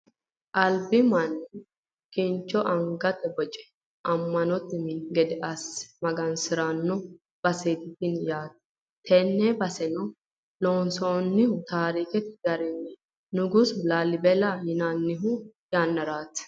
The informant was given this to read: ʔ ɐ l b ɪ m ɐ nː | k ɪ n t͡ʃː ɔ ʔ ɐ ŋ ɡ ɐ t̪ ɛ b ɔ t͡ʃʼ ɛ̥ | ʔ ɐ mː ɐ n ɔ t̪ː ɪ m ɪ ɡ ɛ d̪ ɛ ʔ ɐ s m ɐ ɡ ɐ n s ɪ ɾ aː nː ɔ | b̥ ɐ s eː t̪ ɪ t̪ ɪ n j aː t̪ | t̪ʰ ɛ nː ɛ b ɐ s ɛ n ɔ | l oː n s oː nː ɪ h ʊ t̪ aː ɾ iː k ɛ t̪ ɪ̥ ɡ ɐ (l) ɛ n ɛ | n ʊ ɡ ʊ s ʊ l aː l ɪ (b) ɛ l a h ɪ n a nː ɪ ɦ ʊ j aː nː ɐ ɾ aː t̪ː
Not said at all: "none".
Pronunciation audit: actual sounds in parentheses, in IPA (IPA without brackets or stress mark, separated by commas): ɾ, b